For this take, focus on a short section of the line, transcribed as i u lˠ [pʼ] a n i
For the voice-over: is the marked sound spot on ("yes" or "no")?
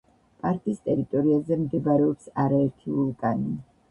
no